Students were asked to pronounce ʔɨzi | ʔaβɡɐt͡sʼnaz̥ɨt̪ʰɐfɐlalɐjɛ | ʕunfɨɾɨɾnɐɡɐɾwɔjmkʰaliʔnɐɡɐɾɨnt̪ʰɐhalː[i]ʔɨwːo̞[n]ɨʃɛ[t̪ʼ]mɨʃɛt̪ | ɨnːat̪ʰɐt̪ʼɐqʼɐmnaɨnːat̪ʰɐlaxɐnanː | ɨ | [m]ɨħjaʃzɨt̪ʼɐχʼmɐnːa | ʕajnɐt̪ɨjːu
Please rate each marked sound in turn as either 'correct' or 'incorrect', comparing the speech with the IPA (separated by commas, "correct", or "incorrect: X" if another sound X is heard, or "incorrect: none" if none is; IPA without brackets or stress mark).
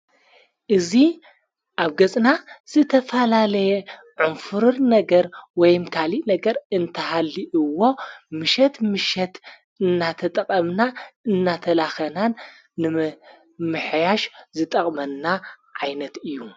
correct, incorrect: m, incorrect: t̪, correct